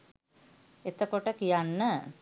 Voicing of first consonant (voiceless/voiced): voiceless